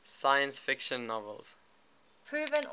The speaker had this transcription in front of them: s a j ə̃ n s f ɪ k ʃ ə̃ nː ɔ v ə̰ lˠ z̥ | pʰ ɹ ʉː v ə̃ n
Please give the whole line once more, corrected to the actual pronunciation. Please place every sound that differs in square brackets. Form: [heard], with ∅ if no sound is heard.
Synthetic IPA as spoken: s a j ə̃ n s f ɪ k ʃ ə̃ nː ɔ v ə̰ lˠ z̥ | pʰ ɹ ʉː v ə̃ n